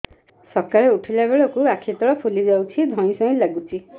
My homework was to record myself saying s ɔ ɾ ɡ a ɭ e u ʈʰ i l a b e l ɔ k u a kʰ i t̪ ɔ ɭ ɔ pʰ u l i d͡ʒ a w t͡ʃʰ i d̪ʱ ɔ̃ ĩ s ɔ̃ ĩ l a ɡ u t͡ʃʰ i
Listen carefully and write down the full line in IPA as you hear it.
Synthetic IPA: s ɔ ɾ k a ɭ e u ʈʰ i l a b e ɭ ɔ k u a kʰ i t̪ ɔ ɭ ɔ pʰ u l i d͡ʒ a w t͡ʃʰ i d̪ʱ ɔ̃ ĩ s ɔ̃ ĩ l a ɡ u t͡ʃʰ i